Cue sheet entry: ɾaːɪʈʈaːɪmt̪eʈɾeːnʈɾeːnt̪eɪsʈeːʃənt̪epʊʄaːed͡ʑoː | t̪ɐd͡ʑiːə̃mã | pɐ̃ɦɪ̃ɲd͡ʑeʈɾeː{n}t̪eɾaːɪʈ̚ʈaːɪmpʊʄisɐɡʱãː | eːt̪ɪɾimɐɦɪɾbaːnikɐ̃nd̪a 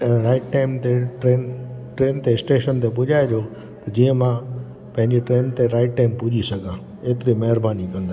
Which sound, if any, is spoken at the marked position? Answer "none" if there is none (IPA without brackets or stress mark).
n